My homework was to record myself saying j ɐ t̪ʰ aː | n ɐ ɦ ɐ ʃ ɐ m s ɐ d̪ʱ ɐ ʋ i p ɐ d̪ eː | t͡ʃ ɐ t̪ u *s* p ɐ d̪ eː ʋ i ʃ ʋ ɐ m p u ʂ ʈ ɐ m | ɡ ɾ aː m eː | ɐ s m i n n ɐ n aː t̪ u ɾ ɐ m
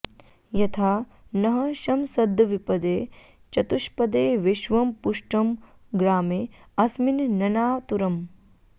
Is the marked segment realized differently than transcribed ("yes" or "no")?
yes